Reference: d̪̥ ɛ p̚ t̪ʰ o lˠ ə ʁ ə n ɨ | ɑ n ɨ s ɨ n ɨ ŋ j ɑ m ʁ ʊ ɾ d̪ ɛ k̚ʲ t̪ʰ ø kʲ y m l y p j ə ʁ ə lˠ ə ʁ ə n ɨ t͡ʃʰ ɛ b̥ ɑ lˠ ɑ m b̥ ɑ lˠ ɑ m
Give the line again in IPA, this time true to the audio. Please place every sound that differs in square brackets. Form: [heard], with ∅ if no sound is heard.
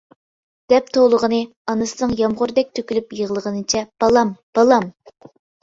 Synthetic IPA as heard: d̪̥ ɛ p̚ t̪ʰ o lˠ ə ʁ ə n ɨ | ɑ n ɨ s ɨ n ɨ ŋ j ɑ m ʁ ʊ ɾ d̪ ɛ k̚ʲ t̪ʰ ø kʲ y [∅] l y p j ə ʁ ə lˠ ə ʁ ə n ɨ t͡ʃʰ ɛ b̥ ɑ lˠ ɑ m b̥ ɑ lˠ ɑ m

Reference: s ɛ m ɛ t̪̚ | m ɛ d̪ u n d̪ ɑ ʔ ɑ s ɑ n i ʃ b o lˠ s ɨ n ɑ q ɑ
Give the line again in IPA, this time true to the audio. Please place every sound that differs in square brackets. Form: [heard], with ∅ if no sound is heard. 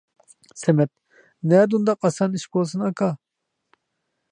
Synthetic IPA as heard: s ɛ m ɛ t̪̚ | [n] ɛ d̪ u n d̪ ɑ [q] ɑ s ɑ n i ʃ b o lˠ s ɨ n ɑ [k] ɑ

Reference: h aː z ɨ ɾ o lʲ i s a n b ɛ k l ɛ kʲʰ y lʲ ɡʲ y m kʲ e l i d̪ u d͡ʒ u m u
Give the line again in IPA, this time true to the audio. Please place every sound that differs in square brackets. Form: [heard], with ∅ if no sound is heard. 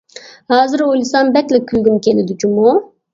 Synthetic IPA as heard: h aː z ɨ ɾ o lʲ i s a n b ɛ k l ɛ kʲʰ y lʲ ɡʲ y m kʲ e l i d̪ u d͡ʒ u m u

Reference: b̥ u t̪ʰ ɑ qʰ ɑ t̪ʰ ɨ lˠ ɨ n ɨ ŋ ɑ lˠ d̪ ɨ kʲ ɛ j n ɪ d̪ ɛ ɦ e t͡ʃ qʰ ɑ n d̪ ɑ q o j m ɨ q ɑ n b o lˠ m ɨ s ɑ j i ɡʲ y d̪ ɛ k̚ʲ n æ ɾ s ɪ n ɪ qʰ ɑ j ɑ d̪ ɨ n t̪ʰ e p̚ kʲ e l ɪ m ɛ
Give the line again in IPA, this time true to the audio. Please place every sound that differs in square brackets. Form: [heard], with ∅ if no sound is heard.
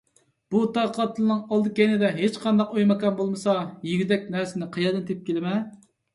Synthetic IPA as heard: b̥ u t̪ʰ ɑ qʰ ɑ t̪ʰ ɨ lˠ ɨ n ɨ ŋ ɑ lˠ d̪ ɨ kʲ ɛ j n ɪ d̪ ɛ ɦ e t͡ʃ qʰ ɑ n d̪ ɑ q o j m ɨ [k] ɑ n b o lˠ m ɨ s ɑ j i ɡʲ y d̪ ɛ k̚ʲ n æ ɾ s ɪ n ɪ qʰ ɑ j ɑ d̪ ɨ n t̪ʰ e p̚ kʲ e l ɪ m ɛ

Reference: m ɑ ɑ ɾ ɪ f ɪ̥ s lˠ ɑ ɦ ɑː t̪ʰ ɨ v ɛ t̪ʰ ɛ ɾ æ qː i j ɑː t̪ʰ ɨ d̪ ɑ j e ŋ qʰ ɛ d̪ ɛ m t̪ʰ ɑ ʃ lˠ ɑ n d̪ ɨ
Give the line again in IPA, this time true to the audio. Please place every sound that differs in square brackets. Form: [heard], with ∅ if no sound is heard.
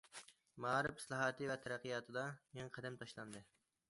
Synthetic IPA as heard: m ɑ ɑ ɾ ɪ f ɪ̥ s lˠ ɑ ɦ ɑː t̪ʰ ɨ v ɛ t̪ʰ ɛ ɾ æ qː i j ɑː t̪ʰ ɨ d̪ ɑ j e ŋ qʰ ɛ d̪ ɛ m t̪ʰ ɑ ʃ lˠ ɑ n d̪ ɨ

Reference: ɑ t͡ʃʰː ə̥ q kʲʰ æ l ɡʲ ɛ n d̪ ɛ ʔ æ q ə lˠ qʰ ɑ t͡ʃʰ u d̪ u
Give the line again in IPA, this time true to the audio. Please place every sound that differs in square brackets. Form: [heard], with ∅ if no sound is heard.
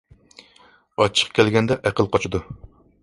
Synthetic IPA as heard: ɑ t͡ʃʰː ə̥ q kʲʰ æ l ɡʲ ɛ n d̪ ɛ ʔ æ q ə lˠ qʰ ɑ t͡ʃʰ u d̪ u

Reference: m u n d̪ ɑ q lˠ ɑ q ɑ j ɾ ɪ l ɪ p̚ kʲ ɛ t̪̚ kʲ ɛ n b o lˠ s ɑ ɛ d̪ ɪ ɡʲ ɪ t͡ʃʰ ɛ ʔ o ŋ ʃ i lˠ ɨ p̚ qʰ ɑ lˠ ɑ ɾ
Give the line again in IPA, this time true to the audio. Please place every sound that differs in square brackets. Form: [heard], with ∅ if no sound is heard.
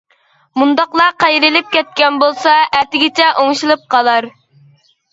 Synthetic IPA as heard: m u n d̪ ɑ q lˠ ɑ q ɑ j ɾ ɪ l ɪ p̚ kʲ ɛ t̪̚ kʲ ɛ n b o lˠ s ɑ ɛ [t̪] ɪ ɡʲ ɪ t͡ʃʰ ɛ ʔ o ŋ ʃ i lˠ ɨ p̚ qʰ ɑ lˠ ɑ ɾ

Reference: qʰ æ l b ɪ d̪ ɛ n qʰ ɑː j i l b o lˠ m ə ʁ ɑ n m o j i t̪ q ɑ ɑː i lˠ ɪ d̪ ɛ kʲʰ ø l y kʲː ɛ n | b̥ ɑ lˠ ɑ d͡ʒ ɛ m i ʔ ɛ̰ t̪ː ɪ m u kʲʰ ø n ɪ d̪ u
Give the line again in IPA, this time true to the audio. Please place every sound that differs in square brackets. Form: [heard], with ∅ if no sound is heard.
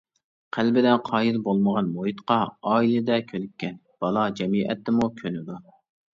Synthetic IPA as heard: qʰ æ l b ɪ d̪ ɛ n qʰ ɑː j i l b o lˠ m ə ʁ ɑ n m o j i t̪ q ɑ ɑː i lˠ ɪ d̪ ɛ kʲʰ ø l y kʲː ɛ n | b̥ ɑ lˠ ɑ d͡ʒ ɛ m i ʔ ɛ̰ t̪ː ɪ m u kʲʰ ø n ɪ d̪ u

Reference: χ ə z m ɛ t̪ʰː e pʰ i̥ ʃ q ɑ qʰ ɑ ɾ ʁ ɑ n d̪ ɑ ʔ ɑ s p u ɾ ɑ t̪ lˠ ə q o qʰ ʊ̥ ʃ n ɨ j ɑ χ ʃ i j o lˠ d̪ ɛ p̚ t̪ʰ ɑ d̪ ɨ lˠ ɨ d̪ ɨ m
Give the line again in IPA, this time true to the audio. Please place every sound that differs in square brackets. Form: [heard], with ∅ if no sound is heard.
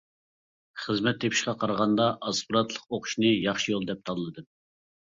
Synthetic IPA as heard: χ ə z m ɛ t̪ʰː e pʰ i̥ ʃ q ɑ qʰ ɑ ɾ ʁ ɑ n d̪ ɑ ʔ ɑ s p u ɾ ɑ t̪ lˠ ə q o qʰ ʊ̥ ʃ n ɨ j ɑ χ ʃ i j o lˠ d̪ ɛ p̚ t̪ʰ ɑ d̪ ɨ lˠ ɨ d̪ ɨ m

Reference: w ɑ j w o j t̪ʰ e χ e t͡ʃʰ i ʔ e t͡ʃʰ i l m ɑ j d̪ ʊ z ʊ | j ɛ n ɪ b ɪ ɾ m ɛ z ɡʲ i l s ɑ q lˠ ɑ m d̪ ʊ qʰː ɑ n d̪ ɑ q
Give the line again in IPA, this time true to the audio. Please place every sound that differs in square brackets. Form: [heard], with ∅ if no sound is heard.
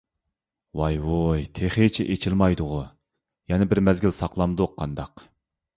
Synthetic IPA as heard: w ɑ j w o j t̪ʰ e χ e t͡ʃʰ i ʔ e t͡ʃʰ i l m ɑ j d̪ ʊ [ʁ] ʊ | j ɛ n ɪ b ɪ ɾ m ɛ z ɡʲ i l s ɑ q lˠ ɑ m d̪ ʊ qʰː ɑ n d̪ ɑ q

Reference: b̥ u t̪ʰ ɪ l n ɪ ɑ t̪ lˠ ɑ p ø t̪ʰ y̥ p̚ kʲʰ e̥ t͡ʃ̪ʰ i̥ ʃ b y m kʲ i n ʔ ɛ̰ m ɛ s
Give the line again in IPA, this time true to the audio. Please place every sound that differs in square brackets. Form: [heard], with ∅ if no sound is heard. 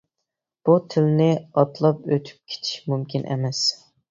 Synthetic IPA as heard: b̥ u t̪ʰ ɪ l n ɪ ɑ t̪ lˠ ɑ p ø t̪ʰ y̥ p̚ kʲʰ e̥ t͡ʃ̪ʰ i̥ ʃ [m] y m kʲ i n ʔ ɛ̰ m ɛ s

